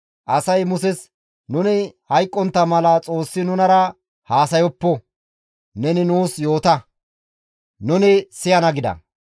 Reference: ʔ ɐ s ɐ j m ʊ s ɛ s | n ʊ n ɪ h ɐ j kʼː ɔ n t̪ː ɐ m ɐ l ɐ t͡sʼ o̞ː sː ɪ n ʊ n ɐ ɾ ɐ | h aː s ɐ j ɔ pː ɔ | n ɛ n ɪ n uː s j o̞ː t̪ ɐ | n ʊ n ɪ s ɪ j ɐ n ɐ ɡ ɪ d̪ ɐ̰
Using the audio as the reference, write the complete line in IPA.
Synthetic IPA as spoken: ʔ ɐ s ɐ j m ʊ s ɛ s | n ʊ n ɪ h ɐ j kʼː ɔ n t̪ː ɐ m ɐ l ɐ t͡sʼ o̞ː sː ɪ n ʊ n ɐ ɾ ɐ | h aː s ɐ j ɔ pː ɔ | n ɛ n ɪ n uː s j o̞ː t̪ ɐ | n ʊ n ɪ s ɪ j ɐ n ɐ ɡ ɪ d̪ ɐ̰